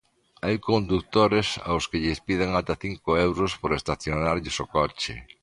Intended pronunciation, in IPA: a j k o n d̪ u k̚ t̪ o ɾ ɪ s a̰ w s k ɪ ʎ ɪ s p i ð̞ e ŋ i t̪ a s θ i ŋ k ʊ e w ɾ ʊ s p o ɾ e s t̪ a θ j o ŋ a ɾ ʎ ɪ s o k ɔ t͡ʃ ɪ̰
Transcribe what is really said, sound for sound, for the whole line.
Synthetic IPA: a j k o n d̪ u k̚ t̪ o ɾ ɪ s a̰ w s k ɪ ʎ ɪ s p i ð̞ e ŋ a t̪ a θ i ŋ k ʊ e w ɾ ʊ s p o ɾ e s t̪ a θ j o n a ɾ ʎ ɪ s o k ɔ t͡ʃ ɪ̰